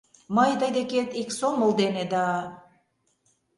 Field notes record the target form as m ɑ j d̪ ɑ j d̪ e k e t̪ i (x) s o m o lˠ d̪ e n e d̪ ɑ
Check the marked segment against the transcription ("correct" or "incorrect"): incorrect